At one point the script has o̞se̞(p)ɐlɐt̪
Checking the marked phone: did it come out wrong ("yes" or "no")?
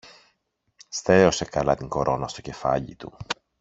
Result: yes